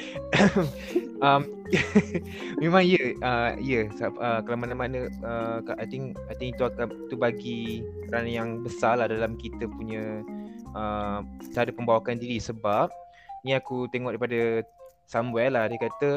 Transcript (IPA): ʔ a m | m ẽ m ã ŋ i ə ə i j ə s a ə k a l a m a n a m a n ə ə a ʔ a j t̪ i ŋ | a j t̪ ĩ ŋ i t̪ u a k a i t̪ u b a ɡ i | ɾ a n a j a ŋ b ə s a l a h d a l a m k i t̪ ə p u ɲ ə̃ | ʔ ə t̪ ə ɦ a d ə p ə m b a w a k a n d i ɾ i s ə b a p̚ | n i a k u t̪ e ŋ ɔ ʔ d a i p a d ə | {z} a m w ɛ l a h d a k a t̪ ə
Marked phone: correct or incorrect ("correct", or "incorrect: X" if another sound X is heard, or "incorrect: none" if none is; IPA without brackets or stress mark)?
incorrect: s